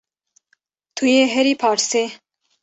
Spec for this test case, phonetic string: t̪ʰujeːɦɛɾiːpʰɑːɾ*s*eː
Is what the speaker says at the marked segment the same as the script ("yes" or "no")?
yes